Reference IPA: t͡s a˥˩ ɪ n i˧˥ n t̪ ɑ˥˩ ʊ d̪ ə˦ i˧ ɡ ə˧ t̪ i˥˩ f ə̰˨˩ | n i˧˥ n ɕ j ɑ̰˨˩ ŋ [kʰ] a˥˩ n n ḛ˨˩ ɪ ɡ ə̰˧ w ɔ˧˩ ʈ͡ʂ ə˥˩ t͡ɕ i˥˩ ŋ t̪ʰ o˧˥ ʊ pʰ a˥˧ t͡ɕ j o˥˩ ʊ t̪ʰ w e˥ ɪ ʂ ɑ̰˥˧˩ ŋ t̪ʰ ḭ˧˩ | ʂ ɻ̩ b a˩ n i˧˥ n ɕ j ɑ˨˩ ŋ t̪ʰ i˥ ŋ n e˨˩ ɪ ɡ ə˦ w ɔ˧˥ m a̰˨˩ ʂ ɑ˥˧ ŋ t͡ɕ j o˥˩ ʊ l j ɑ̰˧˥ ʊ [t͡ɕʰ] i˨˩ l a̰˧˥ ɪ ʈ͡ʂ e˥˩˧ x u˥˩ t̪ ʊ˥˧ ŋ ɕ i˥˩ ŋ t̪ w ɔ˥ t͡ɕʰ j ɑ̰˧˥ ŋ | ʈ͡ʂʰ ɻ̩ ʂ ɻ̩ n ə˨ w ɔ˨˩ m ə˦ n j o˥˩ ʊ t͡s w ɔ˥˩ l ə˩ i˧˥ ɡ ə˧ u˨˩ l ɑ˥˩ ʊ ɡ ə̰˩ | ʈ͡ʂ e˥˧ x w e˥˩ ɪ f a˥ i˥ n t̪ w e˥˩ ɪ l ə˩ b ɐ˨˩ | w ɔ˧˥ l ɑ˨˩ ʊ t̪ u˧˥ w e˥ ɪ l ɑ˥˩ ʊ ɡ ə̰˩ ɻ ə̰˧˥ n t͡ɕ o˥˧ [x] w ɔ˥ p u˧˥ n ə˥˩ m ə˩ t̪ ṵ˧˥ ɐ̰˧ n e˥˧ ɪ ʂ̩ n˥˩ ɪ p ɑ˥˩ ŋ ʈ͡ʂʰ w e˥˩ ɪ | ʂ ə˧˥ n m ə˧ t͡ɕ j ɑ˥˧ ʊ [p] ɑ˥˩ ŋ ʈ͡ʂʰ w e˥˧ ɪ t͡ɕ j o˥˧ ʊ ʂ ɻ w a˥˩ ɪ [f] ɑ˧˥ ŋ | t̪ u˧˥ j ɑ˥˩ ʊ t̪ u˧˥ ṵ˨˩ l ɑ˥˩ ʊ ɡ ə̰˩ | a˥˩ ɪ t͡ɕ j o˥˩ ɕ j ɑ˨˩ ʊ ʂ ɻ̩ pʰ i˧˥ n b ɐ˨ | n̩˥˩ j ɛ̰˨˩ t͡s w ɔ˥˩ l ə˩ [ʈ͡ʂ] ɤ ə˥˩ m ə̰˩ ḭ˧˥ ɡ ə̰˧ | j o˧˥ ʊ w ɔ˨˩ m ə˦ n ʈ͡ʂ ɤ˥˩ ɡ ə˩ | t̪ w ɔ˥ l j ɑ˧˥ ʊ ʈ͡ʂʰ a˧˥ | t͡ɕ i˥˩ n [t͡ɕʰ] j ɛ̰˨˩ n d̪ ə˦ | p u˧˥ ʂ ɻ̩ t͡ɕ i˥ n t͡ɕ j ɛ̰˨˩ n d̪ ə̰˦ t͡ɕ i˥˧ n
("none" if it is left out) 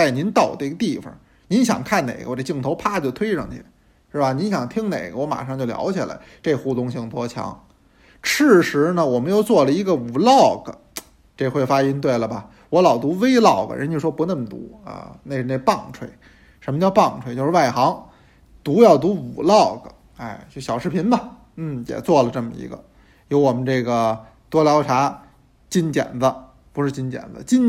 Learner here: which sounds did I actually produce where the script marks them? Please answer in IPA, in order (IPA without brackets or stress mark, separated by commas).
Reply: kʰ, t͡ɕʰ, ʂ, p, x, ʈ͡ʂ, t͡ɕ